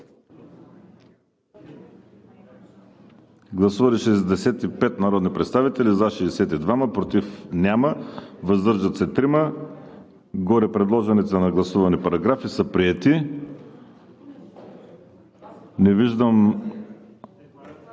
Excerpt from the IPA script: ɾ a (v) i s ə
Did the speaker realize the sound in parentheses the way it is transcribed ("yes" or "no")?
no